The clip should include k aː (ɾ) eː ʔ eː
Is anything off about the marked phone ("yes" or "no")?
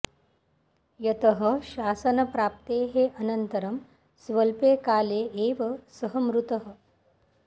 yes